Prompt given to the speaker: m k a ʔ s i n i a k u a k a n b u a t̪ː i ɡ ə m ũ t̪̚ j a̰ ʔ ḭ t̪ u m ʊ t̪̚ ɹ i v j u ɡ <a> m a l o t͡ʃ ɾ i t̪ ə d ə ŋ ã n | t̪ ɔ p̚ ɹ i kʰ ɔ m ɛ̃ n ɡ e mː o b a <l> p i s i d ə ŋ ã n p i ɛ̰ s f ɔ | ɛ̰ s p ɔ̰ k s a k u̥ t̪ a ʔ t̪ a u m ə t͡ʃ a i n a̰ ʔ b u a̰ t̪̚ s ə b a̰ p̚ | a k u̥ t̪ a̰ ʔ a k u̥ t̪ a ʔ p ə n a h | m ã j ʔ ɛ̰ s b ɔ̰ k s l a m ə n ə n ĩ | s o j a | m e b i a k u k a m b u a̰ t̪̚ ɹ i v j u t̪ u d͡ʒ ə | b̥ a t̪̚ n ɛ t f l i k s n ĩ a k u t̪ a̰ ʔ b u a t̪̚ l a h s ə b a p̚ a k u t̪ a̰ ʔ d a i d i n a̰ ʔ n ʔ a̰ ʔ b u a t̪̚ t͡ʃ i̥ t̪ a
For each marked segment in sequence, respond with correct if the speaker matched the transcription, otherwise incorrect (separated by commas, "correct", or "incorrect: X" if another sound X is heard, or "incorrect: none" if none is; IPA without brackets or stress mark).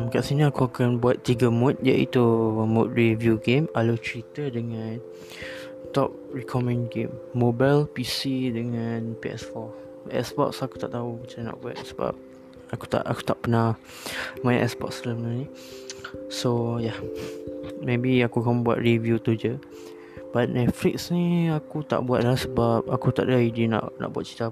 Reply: incorrect: e, correct